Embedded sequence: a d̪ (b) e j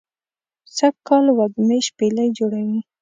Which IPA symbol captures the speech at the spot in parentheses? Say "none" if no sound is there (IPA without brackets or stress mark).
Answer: m